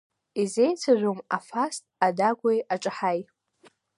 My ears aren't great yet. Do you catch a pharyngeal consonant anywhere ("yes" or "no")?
yes